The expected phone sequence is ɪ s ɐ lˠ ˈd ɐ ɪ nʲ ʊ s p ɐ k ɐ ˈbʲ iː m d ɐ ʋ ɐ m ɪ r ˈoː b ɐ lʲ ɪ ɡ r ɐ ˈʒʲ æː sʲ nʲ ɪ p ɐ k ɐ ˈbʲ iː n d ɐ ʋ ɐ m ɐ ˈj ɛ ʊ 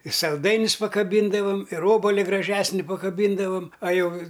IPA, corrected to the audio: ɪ s ɐ lˠ ˈd ɐ ɪ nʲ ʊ s p ɐ k ɐ ˈbʲ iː n d ɐ ʋ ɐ m ɪ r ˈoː b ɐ lʲ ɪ ɡ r ɐ ˈʒʲ æː sʲ nʲ ɪ p ɐ k ɐ ˈbʲ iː n d ɐ ʋ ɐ m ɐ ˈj ɛ ʊ